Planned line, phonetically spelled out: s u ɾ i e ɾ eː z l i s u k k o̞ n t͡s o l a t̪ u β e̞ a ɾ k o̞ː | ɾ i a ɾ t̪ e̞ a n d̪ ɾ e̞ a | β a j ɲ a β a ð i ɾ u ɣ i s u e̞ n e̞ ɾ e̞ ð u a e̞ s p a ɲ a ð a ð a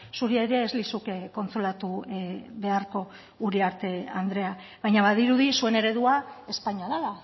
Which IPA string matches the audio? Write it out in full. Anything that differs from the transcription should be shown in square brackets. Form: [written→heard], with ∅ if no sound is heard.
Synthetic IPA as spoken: s u ɾ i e ɾ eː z l i s u k k o̞ n t͡s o l a t̪ u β e̞ a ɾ k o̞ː | ɾ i a ɾ t̪ e̞ a n d̪ ɾ e̞ a | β a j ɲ a β a ð i ɾ u [ɣ→ð] i s u e̞ n e̞ ɾ e̞ ð u a e̞ s p a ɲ a ð a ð a